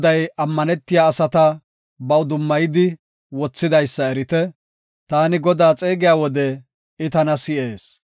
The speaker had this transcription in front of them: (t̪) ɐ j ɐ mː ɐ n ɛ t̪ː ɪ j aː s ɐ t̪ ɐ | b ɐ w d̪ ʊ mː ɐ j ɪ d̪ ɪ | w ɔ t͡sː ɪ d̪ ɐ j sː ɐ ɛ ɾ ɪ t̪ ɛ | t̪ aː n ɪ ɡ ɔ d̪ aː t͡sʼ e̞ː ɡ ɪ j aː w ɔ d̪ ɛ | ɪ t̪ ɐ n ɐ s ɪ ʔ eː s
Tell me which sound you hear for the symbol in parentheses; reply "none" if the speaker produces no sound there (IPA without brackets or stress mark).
d̪